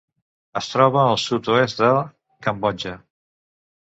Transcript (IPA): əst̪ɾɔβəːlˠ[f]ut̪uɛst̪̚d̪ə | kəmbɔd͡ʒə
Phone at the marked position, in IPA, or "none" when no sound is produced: s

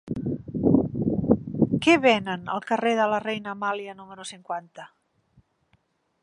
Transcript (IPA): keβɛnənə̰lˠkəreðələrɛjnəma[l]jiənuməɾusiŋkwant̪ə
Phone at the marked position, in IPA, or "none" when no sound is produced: l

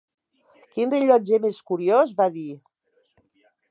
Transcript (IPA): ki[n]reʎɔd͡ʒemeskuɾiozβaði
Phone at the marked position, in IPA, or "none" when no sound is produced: n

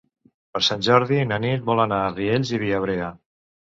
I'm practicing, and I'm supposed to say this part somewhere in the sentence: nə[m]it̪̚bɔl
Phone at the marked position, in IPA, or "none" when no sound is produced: n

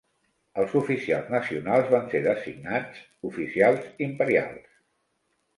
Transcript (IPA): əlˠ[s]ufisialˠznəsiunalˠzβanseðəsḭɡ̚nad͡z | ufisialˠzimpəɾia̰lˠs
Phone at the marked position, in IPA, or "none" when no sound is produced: z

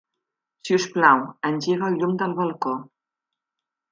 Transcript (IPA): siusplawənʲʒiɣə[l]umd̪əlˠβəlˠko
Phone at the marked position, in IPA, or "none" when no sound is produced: ʎ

